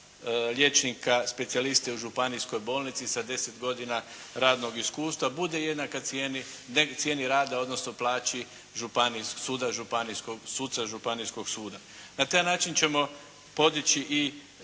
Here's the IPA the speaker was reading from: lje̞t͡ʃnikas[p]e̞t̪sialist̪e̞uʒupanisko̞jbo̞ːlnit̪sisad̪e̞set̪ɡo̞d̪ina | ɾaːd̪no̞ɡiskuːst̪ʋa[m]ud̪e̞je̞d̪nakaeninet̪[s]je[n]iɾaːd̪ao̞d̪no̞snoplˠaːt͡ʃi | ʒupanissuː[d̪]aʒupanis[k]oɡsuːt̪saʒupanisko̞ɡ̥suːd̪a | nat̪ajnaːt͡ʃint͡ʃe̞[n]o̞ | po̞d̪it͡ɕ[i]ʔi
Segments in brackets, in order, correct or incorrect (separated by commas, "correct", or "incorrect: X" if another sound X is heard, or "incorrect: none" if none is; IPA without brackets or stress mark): correct, incorrect: b, correct, correct, correct, correct, incorrect: m, correct